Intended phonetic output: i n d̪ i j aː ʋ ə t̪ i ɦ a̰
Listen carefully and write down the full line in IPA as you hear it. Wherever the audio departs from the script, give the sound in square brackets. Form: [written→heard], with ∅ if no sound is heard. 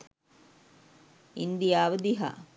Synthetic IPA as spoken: i n d̪ i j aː ʋ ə [t̪→d̪] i ɦ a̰